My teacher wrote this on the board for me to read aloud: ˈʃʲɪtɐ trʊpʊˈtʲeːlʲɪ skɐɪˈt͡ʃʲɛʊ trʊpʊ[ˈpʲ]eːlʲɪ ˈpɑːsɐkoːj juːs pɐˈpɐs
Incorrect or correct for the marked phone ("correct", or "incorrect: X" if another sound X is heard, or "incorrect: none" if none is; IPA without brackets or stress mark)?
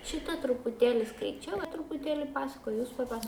incorrect: tʲ